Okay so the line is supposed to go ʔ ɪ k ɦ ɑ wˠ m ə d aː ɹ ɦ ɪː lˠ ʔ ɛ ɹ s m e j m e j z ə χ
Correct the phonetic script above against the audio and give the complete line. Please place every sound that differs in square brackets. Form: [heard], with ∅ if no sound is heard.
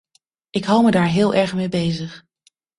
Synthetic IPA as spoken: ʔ ɪ k ɦ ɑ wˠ m ə d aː ɹ ɦ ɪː lˠ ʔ ɛ ɹ [χ] m e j [b] e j z ə χ